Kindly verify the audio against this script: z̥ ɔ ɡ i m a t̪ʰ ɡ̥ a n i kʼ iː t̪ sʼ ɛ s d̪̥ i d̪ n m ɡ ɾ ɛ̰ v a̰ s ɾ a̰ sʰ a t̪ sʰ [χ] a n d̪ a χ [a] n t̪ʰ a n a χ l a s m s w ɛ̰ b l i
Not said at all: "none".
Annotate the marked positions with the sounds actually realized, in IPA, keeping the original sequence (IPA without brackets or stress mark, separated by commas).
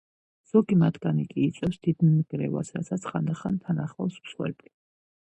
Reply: χ, a